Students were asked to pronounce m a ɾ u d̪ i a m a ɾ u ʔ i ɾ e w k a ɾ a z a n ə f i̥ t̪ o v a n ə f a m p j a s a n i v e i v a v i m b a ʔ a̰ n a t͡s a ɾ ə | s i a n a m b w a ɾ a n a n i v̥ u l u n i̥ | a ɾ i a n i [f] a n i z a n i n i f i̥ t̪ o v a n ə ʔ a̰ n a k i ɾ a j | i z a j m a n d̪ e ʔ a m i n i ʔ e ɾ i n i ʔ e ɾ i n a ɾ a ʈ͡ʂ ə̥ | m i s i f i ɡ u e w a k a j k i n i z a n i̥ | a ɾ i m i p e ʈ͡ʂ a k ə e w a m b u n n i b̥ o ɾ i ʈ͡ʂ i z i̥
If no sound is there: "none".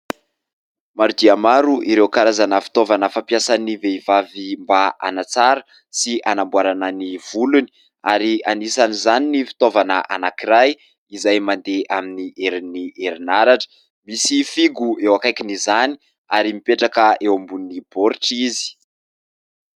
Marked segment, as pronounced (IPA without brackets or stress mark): s